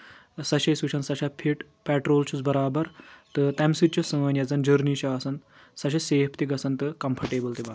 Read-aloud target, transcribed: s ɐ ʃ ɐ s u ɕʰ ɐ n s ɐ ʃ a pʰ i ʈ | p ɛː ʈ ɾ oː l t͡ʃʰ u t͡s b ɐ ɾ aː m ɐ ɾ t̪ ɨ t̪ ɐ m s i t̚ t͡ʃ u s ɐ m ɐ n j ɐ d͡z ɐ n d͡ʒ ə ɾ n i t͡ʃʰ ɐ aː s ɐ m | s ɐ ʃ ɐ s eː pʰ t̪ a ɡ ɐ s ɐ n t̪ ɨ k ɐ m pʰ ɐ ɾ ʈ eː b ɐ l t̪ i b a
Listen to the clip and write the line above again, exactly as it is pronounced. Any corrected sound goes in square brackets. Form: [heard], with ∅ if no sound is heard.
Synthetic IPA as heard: s ɐ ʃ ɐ s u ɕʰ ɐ n s ɐ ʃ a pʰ i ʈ | p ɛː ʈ ɾ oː l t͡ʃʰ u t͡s b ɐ ɾ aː [b] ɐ ɾ t̪ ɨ t̪ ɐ m s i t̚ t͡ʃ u s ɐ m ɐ n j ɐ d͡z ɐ n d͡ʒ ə ɾ n i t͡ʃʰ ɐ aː s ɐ [n] | s ɐ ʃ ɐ s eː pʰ t̪ [i] ɡ ɐ s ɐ n t̪ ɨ k ɐ m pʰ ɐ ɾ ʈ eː b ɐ l t̪ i b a